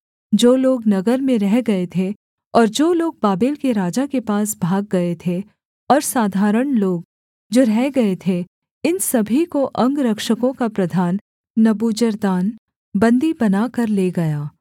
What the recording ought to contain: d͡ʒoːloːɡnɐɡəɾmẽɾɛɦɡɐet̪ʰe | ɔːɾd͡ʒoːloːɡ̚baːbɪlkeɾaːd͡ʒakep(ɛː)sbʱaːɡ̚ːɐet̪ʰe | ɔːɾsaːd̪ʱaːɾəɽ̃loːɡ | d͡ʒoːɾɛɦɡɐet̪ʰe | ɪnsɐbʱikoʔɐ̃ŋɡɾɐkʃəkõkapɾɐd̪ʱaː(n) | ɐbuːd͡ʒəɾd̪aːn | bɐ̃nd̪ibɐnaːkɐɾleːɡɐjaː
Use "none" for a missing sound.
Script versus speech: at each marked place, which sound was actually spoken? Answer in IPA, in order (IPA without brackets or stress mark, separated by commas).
aː, nː